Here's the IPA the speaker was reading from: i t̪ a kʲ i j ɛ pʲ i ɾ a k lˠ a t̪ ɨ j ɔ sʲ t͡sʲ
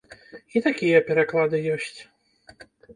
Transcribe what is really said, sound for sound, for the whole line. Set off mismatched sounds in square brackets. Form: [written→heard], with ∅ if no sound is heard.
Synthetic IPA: i t̪ a kʲ i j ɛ pʲ [i→ɛ] ɾ a k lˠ a [t̪→d̪] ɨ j ɔ sʲ t͡sʲ